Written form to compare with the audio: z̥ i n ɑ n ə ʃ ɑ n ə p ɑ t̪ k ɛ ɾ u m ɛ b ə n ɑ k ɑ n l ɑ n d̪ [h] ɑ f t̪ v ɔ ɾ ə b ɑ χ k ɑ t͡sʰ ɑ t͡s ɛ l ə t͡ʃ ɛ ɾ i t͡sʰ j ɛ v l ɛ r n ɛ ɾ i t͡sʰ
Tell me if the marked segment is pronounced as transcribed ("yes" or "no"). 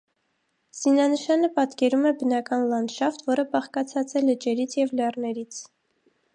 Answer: no